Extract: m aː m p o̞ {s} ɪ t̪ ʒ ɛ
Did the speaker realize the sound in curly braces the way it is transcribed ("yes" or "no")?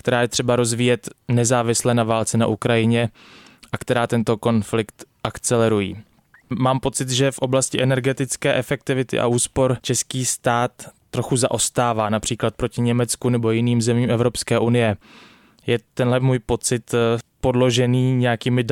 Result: no